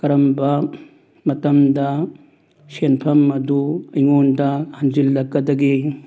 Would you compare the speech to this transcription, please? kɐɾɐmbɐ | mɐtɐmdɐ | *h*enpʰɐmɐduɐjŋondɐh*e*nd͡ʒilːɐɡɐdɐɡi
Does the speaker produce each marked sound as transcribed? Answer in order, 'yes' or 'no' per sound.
no, no

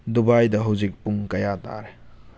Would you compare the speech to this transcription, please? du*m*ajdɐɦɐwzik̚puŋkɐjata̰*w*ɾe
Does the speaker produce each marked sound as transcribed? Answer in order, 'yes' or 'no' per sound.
no, no

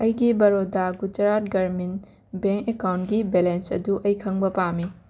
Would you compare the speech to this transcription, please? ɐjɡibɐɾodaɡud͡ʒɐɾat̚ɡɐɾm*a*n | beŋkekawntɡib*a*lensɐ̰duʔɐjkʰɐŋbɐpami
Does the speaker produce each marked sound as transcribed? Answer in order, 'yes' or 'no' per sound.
no, no

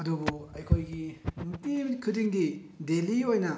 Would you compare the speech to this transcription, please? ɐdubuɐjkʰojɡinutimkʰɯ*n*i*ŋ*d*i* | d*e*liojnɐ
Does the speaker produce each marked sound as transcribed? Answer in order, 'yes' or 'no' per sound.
no, yes, yes, yes

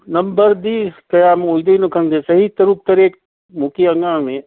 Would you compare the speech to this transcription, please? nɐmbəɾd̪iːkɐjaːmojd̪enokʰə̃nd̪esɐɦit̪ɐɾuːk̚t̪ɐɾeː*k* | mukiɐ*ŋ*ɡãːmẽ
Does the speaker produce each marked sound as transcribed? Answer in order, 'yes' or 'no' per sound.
yes, yes

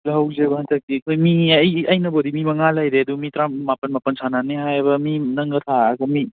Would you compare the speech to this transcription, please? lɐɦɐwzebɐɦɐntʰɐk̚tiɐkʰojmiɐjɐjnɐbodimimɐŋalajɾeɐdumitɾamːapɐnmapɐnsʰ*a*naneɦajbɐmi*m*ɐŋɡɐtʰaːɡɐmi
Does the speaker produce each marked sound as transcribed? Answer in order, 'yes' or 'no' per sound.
yes, no

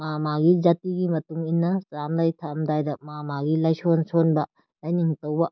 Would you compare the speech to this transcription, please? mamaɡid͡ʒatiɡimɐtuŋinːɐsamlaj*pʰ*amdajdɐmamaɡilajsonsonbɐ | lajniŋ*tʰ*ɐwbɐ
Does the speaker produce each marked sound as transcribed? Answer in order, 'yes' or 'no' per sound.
no, no

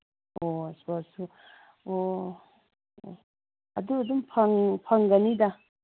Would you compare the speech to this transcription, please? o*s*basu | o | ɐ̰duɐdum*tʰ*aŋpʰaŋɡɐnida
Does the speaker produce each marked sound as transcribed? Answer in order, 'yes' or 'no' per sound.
yes, no

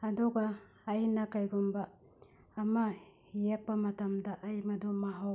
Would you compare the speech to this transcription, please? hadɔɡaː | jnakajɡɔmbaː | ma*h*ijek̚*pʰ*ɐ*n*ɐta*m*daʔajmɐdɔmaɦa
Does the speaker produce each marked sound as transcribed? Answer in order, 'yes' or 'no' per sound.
yes, no, no, yes

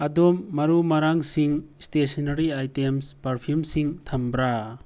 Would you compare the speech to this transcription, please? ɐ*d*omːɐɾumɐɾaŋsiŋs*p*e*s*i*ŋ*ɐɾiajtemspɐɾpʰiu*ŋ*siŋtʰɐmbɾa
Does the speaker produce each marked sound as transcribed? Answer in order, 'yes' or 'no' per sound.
yes, no, yes, no, no

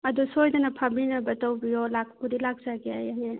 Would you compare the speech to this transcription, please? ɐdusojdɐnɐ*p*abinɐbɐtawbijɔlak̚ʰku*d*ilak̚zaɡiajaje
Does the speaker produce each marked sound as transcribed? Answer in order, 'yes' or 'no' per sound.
no, yes

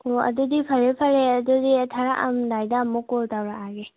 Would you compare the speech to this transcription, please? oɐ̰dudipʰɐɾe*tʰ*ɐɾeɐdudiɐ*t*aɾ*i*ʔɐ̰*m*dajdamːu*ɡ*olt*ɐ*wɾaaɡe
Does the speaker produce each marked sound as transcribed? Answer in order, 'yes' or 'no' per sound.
no, no, no, yes, no, no

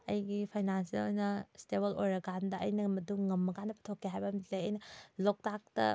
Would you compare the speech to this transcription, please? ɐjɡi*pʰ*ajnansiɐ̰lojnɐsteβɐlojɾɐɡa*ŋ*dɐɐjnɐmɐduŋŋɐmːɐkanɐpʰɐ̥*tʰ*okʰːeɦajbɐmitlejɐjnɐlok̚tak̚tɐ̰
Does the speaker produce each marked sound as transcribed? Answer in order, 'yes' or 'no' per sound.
yes, no, yes

